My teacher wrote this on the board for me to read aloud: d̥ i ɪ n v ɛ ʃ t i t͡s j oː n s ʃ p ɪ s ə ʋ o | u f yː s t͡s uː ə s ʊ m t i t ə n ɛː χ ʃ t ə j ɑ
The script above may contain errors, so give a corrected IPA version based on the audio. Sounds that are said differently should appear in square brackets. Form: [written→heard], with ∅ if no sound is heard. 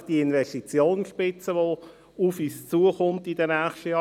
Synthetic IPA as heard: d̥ i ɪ n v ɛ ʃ t i t͡s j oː n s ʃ p ɪ [s→t͡s] ə ʋ o | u f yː s t͡s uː ə [s→χ] ʊ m t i [t→d] ə n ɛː χ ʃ t ə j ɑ